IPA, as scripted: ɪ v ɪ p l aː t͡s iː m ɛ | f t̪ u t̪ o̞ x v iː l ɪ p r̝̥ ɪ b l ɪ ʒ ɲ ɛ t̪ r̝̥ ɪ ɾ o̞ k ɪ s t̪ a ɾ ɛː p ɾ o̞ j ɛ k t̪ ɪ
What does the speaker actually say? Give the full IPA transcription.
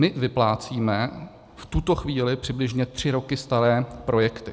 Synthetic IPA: ɪ v ɪ p l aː t͡s iː m ɛ | f t̪ u t̪ o̞ x v iː l ɪ p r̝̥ ɪ b l ɪ ʒ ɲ ɛ t̪ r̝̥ ɪ ɾ o̞ k ɪ s t̪ a ɾ ɛː p ɾ o̞ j ɛ k t̪ ɪ